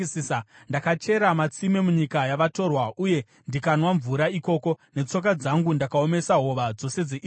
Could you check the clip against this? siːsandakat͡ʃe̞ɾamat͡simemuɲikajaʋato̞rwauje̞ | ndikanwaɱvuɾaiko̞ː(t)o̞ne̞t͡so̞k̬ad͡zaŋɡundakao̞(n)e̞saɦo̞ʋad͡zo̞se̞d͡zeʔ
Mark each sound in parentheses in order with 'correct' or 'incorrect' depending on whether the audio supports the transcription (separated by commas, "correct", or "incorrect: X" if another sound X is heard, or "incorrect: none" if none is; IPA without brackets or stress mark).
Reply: incorrect: k, incorrect: m